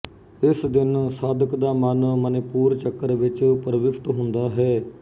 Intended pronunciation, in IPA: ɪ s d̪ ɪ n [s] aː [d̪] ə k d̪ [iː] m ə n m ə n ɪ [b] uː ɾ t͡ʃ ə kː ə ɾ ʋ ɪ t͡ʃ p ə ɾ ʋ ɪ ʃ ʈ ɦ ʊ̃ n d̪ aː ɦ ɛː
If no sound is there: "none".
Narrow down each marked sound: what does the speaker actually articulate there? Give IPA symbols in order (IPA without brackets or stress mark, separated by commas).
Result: s, d̪, aː, p